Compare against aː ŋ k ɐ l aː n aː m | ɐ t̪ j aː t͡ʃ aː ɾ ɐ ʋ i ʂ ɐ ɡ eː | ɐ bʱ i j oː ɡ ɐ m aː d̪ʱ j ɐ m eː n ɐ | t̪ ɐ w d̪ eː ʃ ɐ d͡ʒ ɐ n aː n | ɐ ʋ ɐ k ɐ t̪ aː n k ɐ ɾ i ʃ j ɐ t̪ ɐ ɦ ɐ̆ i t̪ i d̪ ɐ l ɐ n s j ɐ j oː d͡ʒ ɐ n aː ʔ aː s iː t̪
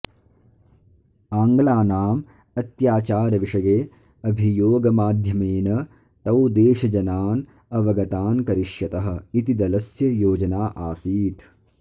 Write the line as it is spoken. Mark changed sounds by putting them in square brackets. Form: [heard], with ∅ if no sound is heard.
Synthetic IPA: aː ŋ [ɡ] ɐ l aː n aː m | ɐ t̪ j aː t͡ʃ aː ɾ ɐ ʋ i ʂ ɐ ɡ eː | ɐ bʱ i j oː ɡ ɐ m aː d̪ʱ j ɐ m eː n ɐ | t̪ ɐ w d̪ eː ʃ ɐ d͡ʒ ɐ n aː n | ɐ ʋ ɐ [ɡ] ɐ t̪ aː n k ɐ ɾ i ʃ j ɐ t̪ ɐ ɦ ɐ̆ i t̪ i d̪ ɐ l ɐ [∅] s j ɐ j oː d͡ʒ ɐ n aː ʔ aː s iː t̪